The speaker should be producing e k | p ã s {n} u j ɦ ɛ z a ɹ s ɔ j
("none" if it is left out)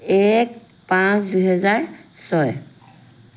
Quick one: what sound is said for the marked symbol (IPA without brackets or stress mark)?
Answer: d